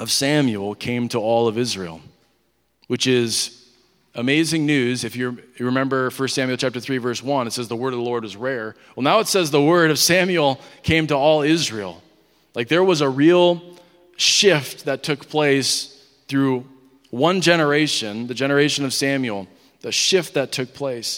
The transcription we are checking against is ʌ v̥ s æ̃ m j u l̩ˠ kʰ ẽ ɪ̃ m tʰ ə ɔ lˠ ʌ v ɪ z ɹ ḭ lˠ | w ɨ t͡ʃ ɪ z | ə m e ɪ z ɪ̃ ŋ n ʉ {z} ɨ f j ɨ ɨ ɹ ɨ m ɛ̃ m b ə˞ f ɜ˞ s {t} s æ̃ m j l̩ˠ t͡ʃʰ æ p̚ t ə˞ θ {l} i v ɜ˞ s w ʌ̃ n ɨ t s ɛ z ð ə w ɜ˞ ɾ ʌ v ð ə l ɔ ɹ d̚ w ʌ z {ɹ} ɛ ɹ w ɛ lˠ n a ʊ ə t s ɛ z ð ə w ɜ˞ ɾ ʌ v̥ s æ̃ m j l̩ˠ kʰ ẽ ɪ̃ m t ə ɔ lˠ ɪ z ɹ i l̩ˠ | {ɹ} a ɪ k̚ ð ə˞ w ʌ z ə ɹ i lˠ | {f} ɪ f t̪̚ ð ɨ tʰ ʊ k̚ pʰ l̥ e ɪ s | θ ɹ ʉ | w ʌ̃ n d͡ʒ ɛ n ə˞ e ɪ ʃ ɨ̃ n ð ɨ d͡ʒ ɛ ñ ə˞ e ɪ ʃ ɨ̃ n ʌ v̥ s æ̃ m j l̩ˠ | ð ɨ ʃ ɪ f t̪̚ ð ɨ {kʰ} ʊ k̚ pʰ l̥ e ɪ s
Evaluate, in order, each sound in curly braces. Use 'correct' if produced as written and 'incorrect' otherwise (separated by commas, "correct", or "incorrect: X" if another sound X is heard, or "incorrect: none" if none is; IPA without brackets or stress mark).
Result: correct, correct, incorrect: ɹ, correct, incorrect: l, incorrect: ʃ, incorrect: tʰ